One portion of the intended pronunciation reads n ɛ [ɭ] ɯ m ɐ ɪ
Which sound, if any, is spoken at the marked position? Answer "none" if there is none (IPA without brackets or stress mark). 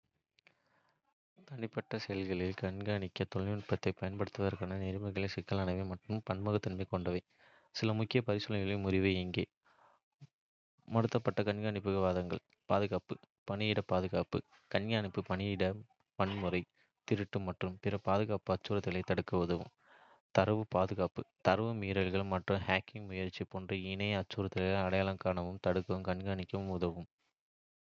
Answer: ɾ